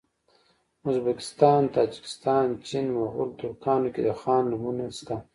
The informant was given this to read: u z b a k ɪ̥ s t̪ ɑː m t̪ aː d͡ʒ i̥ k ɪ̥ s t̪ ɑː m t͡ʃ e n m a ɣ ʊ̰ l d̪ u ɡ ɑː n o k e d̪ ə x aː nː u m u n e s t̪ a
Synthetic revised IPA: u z b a k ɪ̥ s t̪ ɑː n t̪ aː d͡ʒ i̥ k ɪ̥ s t̪ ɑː n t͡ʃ i n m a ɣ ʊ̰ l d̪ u k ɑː n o k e d̪ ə x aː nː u m u n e s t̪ a